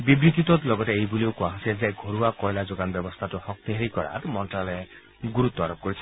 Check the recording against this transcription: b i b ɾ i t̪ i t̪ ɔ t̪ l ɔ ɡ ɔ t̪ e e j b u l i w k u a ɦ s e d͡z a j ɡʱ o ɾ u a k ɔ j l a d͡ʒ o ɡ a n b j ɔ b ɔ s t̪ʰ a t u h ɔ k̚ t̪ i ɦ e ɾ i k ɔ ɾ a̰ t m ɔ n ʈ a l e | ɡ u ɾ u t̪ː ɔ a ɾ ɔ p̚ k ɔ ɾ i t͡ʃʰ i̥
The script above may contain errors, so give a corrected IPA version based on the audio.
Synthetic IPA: b i b ɾ i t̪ i t̪ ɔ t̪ l ɔ ɡ ɔ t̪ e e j b u l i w k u a ɦ s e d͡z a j ɡʱ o ɾ u a k ɔ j l a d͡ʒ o ɡ a n b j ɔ b ɔ s t̪ʰ a t u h ɔ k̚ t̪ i ɦ e ɾ i k ɔ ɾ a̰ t m ɔ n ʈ a l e | ɡ u ɾ u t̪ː ɔ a ɾ ɔ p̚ k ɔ ɾ i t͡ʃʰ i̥